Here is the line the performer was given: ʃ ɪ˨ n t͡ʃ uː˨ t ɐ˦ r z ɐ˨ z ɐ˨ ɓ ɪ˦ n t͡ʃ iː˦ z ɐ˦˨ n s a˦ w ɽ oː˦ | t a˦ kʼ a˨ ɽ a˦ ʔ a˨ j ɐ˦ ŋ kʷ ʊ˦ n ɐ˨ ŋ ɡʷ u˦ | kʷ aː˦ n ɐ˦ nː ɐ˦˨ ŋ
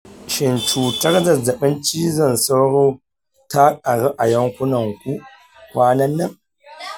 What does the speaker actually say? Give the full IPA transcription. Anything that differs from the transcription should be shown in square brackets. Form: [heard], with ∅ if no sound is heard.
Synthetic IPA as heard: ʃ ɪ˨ n t͡ʃ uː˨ t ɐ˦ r z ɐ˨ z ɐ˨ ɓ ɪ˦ n t͡ʃ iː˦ z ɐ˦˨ n s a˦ w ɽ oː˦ | t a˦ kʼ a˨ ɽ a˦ ʔ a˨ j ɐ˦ ŋ kʷ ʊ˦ n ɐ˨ ŋ [kʷ] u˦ | kʷ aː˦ n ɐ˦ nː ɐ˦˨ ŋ